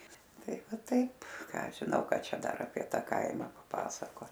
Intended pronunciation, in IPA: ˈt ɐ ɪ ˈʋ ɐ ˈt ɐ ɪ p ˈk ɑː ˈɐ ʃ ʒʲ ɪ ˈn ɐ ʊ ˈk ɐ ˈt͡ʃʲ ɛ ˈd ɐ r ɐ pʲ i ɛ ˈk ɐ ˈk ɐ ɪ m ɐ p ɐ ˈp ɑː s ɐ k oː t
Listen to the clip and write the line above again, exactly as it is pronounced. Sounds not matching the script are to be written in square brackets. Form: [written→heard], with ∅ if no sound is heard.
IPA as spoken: ˈt ɐ ɪ ˈʋ ɐ ˈt ɐ ɪ p ˈk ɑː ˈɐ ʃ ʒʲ ɪ ˈn ɐ ʊ ˈk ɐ ˈt͡ʃʲ ɛ ˈd ɐ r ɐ pʲ i ɛ [ˈk→ˈt] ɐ ˈk ɐ ɪ m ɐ p ɐ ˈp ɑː s ɐ k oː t